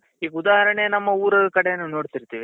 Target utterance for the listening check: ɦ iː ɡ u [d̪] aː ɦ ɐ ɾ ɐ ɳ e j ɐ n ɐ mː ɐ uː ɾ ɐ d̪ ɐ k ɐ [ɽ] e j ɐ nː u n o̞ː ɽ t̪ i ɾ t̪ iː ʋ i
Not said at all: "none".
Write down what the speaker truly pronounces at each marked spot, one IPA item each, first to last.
d̪, ɽ

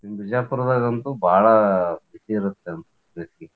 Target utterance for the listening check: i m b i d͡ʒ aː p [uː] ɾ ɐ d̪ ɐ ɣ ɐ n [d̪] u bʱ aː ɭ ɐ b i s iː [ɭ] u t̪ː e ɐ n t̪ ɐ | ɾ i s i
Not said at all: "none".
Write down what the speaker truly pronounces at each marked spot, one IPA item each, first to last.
u, t̪, ɾ

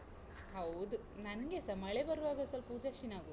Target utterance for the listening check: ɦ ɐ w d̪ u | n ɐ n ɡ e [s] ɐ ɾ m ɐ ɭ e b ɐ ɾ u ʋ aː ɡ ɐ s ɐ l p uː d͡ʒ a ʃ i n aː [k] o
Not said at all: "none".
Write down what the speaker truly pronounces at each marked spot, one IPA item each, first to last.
s, ɡ

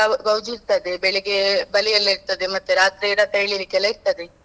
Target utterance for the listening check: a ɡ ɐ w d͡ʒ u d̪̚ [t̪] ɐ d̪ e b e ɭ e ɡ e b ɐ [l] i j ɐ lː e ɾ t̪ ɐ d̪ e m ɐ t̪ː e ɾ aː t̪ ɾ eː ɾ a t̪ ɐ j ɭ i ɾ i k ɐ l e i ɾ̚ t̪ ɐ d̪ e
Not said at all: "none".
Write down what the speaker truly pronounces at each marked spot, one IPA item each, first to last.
t̪, l

